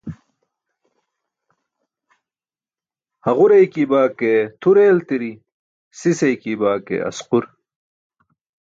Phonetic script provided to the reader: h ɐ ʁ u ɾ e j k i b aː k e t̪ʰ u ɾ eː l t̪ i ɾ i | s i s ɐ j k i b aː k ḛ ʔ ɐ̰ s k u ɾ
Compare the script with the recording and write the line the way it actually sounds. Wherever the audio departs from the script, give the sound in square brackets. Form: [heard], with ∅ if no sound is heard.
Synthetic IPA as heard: h ɐ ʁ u ɾ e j k i b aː k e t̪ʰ u ɾ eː l t̪ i ɾ i | s i s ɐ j k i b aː k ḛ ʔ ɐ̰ s [q] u ɾ